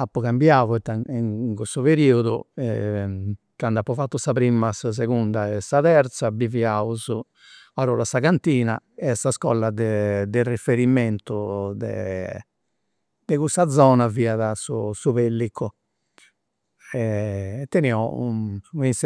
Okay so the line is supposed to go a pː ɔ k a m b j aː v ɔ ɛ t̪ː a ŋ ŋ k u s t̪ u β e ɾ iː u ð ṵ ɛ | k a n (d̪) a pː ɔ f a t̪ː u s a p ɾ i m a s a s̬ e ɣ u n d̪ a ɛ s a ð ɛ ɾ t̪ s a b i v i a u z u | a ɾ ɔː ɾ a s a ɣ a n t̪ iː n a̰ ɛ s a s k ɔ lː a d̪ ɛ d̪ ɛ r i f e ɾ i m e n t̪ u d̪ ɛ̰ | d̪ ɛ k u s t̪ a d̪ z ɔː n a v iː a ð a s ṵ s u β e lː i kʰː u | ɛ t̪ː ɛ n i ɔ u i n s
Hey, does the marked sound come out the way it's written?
yes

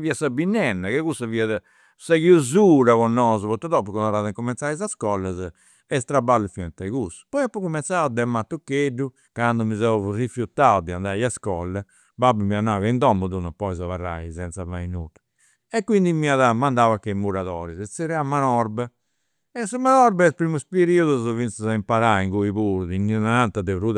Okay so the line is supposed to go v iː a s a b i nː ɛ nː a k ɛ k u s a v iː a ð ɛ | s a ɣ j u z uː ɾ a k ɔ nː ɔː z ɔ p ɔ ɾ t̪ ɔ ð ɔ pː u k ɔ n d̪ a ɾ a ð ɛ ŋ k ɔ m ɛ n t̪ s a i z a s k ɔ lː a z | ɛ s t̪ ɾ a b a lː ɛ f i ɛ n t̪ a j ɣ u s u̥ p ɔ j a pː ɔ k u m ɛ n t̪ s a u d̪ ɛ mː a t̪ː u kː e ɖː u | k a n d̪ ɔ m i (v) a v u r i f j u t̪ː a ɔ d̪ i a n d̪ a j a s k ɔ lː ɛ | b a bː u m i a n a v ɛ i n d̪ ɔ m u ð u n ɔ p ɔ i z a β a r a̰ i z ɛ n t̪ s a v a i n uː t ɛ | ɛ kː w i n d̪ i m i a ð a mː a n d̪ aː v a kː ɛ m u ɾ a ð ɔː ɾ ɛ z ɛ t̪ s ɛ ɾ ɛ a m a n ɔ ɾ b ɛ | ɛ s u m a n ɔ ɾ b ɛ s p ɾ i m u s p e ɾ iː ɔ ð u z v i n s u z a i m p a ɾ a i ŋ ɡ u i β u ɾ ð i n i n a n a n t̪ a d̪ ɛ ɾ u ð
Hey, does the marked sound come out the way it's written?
no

